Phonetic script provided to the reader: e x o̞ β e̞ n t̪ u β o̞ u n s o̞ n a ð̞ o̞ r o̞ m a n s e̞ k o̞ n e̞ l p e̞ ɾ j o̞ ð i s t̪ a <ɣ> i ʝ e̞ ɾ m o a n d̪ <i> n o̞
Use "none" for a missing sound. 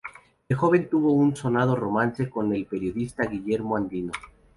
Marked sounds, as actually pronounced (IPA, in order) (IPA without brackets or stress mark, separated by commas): ɣ, i